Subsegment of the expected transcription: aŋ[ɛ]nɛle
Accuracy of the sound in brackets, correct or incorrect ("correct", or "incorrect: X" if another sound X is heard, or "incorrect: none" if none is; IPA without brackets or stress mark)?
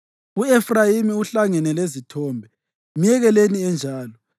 correct